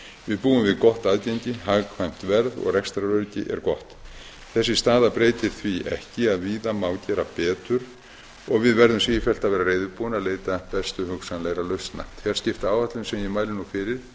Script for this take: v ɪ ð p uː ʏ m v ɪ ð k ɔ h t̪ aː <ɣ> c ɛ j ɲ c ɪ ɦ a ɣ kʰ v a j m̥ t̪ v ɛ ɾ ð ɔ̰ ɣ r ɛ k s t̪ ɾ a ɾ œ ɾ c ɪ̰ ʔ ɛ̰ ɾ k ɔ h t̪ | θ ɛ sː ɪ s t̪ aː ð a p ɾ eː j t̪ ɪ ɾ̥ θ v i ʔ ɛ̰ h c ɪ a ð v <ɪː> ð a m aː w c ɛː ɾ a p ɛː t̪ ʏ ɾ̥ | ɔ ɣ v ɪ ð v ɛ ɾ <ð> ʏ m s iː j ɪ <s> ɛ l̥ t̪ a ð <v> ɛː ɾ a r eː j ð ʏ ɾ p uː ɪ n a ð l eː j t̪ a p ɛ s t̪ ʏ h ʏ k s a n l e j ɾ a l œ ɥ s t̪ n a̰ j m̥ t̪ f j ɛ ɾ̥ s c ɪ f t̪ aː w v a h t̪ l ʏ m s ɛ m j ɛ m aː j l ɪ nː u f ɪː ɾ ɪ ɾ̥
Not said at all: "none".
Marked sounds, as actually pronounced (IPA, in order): ð, iː, ð, f, v

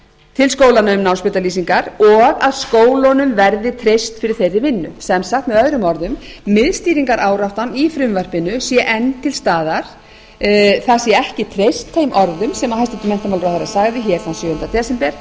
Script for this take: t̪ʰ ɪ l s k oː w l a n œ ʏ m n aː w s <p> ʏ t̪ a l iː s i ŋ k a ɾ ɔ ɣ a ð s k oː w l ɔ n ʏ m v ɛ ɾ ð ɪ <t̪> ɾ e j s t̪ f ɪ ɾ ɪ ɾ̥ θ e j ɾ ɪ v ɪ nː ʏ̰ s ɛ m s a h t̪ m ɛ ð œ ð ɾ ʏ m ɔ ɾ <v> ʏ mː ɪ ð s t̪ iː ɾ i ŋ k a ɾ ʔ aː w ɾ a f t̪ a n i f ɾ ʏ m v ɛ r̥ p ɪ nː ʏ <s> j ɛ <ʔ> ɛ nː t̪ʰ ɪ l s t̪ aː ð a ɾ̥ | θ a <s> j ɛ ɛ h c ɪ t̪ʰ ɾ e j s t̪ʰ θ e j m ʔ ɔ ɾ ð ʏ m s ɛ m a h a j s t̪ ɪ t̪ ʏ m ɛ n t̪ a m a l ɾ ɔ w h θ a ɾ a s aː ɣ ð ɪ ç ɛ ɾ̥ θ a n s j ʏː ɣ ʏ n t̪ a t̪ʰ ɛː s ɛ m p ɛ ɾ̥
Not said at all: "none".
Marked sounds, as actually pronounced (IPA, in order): p, t̪ʰ, ð, s, ʔ, s

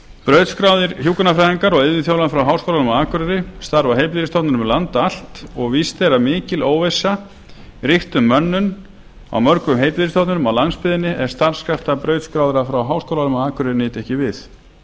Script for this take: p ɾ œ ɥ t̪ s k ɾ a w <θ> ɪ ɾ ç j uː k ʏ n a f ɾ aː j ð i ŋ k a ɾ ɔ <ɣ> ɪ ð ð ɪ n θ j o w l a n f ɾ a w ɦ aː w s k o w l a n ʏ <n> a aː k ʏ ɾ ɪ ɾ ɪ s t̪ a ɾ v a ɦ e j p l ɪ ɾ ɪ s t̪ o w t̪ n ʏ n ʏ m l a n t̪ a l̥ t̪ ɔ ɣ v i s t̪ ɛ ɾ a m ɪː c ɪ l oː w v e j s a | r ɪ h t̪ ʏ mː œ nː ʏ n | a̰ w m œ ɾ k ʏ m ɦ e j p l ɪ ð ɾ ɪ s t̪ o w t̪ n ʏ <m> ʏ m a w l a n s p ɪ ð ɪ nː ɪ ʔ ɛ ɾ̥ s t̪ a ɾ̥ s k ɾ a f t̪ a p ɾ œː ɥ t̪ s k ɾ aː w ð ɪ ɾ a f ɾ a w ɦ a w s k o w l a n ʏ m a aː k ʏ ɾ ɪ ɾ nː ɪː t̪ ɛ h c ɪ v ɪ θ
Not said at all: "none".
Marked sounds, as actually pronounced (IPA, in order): ð, ɣ, m, n

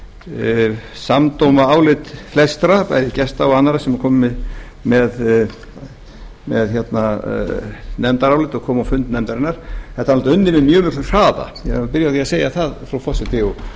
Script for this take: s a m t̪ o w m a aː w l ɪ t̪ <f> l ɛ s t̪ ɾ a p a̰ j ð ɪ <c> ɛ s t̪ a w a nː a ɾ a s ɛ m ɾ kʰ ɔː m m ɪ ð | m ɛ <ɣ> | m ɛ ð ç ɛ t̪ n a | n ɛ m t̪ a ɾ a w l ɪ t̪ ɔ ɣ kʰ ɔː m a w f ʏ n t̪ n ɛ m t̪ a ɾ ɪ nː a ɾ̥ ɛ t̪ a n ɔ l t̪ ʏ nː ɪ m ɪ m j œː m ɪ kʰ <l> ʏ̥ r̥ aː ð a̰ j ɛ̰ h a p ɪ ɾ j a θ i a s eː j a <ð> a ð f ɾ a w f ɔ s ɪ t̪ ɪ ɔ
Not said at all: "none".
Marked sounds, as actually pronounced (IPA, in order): f, c, ð, l, θ

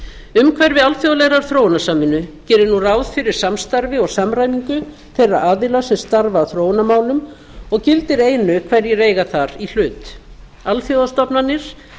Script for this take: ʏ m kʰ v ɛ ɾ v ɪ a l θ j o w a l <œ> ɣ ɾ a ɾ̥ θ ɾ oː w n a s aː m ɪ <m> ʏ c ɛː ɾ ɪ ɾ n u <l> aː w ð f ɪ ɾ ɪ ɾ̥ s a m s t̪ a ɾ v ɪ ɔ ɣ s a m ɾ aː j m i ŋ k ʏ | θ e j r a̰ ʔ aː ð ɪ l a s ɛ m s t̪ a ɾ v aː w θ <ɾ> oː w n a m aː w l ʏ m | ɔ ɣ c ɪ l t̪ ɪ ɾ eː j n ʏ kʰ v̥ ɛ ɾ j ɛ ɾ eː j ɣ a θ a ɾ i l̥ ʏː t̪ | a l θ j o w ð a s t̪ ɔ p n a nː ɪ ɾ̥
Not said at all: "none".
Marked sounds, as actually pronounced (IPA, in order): ɛ, n, r, ɾ

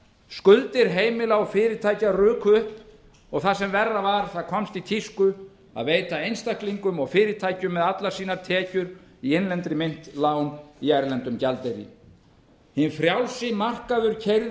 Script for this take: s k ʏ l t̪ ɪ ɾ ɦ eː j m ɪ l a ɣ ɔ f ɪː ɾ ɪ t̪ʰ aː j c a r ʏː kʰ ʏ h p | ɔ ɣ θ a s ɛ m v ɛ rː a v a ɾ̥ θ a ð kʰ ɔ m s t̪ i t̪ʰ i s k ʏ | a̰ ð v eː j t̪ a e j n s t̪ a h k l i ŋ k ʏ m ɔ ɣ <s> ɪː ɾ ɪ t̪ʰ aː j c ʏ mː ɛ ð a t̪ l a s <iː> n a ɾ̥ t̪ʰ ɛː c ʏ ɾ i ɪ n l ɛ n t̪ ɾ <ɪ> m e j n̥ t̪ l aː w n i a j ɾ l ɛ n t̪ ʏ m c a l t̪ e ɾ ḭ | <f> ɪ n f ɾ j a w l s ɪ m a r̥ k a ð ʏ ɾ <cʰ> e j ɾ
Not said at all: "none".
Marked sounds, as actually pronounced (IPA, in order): f, iː, ɪ, h, cʰ

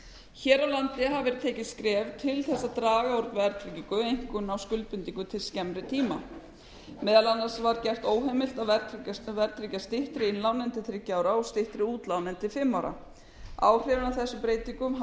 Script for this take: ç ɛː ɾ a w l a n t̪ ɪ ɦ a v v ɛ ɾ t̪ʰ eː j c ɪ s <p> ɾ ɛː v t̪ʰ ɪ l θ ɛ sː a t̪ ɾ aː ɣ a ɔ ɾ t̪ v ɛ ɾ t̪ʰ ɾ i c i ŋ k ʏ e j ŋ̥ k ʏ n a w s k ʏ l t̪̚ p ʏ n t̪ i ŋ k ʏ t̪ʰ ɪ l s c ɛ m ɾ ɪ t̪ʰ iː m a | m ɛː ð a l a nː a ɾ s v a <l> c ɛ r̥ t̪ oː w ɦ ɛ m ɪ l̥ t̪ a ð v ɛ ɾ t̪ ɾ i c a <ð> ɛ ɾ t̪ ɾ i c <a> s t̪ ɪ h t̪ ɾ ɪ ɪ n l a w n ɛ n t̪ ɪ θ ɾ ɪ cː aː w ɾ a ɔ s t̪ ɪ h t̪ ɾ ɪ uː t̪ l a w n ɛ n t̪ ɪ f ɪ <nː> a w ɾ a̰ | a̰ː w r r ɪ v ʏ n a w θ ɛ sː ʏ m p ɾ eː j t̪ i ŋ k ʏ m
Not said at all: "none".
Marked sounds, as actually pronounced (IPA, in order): k, ɾ, v, a, mː

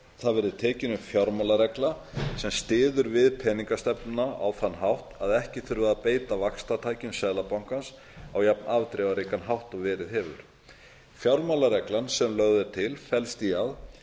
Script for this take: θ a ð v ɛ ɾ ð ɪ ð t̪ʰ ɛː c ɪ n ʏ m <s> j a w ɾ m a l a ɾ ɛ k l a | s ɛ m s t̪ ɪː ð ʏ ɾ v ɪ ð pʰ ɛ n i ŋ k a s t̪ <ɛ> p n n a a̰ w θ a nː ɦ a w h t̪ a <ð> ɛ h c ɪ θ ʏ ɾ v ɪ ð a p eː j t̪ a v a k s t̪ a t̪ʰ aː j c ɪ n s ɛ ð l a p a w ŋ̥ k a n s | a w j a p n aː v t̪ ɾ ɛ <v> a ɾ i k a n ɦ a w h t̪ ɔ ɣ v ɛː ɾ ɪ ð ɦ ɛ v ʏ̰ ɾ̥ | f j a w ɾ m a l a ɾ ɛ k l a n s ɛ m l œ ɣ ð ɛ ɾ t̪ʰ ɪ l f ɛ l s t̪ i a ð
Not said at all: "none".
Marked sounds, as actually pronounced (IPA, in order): f, ɛ, ð, v

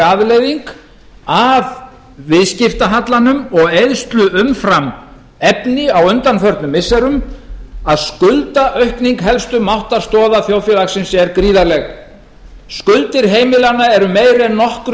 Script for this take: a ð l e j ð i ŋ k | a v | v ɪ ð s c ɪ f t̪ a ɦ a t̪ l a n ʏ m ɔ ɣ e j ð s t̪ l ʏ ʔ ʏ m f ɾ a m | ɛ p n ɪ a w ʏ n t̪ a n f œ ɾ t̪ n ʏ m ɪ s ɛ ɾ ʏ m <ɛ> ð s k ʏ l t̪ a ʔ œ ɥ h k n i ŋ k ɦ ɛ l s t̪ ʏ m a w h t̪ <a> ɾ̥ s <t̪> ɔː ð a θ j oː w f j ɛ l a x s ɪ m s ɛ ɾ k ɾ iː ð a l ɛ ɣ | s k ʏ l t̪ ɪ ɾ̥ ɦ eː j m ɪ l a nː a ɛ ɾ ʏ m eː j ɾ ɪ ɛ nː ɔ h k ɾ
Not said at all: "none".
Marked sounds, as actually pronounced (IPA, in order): a, a, t̪

